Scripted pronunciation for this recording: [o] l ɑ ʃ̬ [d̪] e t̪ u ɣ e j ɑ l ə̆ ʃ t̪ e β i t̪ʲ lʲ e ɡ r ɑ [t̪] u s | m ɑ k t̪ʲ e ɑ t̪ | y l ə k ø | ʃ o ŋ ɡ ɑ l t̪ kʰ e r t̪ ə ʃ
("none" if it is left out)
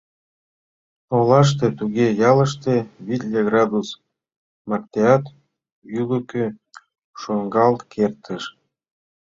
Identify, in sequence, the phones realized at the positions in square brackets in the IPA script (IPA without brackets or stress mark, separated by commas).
o, t̪, d̪